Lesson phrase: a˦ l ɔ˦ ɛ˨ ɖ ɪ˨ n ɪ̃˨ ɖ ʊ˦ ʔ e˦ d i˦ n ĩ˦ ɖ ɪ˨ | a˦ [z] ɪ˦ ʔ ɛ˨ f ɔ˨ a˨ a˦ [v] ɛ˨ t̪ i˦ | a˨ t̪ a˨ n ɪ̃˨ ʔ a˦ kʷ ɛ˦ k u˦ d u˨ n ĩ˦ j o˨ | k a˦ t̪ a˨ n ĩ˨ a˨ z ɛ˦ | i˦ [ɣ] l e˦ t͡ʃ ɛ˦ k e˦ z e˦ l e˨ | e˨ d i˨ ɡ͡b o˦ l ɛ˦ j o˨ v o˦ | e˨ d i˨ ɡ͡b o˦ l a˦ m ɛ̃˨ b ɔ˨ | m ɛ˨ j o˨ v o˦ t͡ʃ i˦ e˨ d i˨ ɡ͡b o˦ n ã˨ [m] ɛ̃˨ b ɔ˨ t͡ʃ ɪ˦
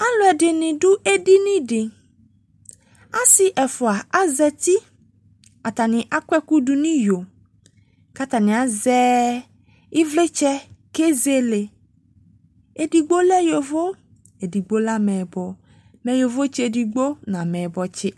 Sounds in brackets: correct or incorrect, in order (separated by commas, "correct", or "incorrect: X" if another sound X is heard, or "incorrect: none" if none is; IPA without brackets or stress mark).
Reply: incorrect: s, incorrect: z, incorrect: v, correct